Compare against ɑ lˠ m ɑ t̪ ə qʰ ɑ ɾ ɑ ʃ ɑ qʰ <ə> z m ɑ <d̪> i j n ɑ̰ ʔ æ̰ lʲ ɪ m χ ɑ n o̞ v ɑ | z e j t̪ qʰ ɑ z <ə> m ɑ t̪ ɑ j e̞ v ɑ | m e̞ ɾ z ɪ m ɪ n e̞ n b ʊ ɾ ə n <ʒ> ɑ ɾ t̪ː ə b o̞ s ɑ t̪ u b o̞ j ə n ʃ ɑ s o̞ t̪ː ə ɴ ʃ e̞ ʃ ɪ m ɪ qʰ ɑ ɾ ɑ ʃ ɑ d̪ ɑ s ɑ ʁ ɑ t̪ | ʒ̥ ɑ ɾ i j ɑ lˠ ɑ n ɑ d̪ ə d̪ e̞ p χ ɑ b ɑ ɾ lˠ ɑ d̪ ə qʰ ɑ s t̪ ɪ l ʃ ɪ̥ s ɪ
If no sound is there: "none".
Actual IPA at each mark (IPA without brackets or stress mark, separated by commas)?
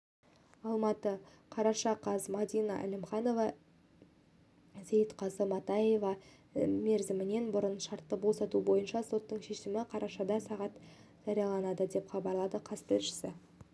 ɑ, d̪, ə, ʃ